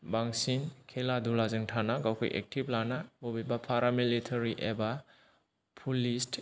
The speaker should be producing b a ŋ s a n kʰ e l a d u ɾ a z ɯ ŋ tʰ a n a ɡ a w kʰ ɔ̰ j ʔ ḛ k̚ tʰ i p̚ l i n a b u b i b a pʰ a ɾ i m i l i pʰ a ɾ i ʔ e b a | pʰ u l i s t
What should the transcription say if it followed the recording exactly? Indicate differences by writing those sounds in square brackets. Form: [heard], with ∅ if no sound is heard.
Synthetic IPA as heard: b a ŋ s [i] n kʰ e l a d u [l] a z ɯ ŋ tʰ a n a ɡ a w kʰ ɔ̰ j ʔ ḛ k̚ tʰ i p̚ l [a] n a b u b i b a pʰ a ɾ [a] m i l i [tʰ] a ɾ i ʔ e b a | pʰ u l i s t